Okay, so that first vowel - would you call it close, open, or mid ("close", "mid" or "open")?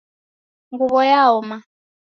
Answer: close